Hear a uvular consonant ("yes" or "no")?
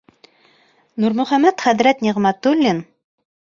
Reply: yes